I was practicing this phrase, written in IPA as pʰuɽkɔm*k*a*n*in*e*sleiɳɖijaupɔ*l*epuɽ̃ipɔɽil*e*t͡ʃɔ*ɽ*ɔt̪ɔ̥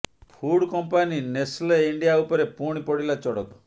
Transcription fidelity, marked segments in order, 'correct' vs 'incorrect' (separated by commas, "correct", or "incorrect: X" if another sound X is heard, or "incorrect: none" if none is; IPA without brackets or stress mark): incorrect: p, correct, correct, incorrect: ɾ, incorrect: a, correct